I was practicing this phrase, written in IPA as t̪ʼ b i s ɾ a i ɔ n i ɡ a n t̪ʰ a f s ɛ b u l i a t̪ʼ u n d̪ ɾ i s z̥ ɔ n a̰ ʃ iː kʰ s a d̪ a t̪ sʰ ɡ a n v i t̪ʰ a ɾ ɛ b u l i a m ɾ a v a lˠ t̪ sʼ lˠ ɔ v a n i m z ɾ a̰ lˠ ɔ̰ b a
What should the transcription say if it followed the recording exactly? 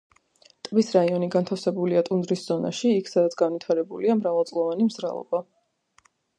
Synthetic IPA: t̪ʼ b i s ɾ a i ɔ n i ɡ a n t̪ʰ a f s ɛ b u l i a t̪ʼ u n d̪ ɾ i s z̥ ɔ n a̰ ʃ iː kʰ s a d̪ a t̪ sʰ ɡ a n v i t̪ʰ a ɾ ɛ b u l i a m ɾ a v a lˠ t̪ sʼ lˠ ɔ v a n i m z ɾ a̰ lˠ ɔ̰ b a